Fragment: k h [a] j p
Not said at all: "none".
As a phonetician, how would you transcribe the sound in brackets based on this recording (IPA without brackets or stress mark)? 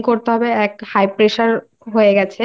a